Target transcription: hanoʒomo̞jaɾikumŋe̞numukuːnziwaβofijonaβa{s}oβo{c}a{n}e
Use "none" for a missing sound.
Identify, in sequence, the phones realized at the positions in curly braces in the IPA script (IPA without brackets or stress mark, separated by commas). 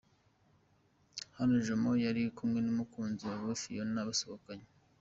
s, k, ɲ